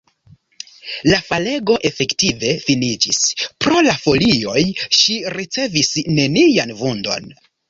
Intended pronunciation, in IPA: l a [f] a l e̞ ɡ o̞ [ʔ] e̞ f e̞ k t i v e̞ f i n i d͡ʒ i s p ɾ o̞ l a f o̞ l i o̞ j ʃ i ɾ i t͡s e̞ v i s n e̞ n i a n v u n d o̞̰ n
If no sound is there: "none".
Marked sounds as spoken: f, ʔ

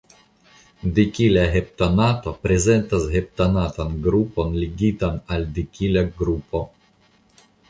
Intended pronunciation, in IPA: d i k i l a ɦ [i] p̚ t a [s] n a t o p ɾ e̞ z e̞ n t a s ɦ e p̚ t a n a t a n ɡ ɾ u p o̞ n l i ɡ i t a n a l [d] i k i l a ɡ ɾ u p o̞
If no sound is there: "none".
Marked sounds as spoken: e, none, d

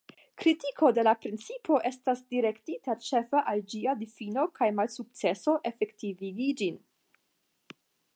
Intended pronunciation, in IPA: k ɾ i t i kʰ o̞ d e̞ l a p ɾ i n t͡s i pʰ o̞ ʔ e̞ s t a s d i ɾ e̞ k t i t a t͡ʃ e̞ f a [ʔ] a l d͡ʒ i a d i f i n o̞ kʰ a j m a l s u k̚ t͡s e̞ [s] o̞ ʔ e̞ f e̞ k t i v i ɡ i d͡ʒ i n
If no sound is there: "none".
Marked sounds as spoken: ʔ, s

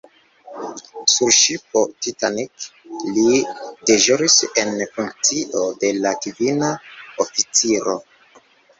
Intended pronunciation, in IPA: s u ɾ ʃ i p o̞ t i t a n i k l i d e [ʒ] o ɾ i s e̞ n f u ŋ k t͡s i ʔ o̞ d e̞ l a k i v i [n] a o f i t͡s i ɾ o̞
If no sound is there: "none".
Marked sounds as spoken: ʒ, n

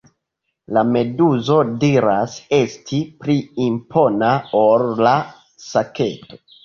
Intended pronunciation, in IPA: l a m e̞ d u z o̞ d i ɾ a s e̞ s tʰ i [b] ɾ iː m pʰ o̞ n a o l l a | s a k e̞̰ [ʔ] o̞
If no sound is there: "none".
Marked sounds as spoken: p, t

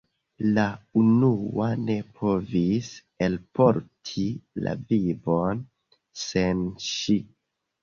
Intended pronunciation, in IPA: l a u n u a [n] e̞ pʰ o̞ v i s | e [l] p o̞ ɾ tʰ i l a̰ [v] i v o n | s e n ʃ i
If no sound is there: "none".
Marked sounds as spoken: n, l, v

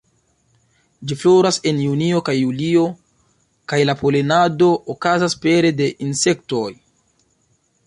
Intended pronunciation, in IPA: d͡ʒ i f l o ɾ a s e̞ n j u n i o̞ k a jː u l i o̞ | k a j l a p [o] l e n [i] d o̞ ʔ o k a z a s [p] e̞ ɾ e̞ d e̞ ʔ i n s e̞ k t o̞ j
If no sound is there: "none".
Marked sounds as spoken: o, a, p

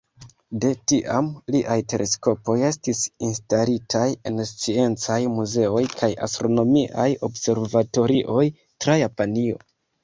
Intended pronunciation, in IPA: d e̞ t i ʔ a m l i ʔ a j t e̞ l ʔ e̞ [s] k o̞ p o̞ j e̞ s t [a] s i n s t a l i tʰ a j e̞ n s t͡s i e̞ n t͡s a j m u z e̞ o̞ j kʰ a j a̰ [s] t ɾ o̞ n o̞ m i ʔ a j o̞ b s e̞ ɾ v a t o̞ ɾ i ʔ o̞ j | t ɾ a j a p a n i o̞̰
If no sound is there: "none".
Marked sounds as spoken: s, i, s

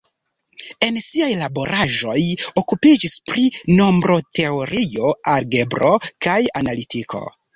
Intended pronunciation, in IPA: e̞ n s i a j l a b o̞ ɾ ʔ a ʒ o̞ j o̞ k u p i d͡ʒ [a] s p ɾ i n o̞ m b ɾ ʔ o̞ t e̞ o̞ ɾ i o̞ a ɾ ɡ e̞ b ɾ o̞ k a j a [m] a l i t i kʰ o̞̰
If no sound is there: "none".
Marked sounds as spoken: i, n

